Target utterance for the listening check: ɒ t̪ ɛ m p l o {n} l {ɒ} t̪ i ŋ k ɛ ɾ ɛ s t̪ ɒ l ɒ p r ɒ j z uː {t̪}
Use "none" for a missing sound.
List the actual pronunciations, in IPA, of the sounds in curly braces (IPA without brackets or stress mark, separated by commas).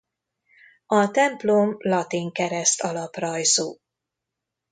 m, ɒ, none